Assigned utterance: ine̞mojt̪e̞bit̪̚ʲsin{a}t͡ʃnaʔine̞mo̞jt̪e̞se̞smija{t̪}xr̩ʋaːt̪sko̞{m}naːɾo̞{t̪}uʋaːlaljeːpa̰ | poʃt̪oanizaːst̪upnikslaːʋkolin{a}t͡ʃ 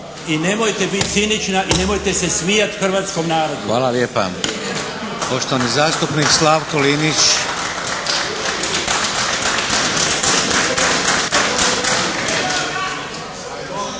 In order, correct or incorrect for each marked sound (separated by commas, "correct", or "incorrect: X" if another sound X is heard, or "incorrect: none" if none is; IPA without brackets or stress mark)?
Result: incorrect: i, correct, correct, incorrect: d̪, incorrect: i